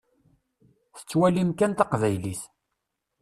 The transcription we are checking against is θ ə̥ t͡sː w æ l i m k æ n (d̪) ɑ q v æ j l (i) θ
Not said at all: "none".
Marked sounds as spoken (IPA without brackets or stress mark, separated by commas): t̪, i